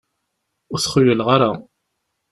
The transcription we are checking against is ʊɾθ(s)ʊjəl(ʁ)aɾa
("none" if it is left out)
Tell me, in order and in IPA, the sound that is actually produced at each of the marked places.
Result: χ, ʁ

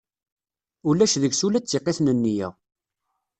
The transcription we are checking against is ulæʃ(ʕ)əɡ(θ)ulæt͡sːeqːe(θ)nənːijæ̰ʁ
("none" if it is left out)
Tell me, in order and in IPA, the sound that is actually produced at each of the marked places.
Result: ð, s, θ

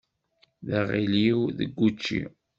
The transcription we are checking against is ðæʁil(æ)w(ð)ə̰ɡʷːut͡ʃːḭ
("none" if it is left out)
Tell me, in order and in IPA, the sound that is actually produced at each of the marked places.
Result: i, ð

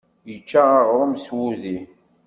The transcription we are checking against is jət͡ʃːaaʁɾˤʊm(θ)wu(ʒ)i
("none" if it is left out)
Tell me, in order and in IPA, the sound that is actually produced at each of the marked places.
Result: s, ð

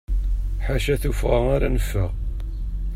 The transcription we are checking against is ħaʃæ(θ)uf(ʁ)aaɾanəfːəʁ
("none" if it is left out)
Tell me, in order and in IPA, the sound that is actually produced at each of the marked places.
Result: θ, ʁ

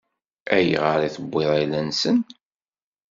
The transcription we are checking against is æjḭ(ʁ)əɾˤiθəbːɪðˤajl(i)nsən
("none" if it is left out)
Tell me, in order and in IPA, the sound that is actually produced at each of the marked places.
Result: ʁ, æ

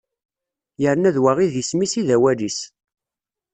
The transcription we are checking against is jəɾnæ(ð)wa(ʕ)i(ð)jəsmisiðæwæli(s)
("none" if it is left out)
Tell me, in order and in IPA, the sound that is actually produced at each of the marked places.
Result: ð, ʁ, ð, s

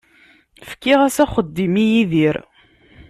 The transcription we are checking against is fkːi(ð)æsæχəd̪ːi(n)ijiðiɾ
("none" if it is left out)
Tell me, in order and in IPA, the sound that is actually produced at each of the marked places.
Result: ʁ, m

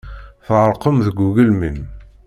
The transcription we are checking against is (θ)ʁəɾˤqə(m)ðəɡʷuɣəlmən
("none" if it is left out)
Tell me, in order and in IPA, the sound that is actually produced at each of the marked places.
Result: θ, m

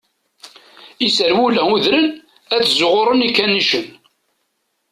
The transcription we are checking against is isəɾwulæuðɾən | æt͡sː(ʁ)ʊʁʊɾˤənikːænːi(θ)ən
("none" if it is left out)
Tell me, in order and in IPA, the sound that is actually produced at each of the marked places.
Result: z, ʃ

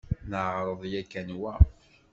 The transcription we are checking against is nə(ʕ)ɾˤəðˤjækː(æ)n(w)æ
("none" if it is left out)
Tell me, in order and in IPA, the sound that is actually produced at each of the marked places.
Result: ʕ, æ, w

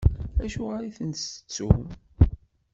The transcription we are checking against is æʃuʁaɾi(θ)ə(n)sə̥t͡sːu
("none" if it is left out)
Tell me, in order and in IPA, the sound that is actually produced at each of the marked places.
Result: θ, n

